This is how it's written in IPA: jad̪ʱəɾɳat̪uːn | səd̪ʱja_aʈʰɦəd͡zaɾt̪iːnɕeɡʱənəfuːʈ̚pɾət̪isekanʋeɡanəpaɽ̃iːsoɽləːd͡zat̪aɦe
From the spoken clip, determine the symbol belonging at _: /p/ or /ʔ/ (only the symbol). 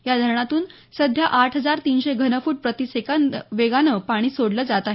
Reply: ʔ